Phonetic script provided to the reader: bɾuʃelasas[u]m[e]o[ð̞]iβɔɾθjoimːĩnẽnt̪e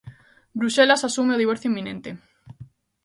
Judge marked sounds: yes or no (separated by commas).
yes, yes, yes